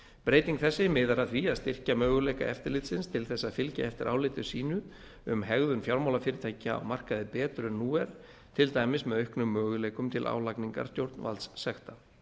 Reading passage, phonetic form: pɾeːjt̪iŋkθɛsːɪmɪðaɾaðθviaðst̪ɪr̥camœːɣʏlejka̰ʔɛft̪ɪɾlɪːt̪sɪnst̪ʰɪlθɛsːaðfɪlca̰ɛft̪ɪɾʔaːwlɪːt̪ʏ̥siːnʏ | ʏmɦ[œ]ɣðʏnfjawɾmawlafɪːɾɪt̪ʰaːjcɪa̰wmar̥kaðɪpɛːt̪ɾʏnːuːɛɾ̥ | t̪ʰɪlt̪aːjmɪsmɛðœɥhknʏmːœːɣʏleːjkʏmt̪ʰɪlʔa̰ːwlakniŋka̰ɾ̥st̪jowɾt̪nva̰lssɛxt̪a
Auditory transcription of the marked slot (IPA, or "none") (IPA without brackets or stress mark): ɛ